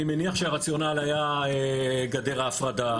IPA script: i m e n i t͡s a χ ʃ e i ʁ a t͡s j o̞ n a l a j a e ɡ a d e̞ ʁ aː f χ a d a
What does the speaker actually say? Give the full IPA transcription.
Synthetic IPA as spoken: i m e n i a χ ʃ e a ʁ a t͡s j o̞ n a l a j a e ɡ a d e̞ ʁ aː f ʁ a d a